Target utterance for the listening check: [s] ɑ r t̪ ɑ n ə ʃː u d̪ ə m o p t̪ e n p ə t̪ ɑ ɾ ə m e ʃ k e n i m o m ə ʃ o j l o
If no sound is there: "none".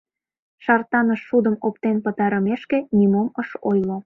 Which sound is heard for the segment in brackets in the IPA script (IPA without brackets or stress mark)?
ʃ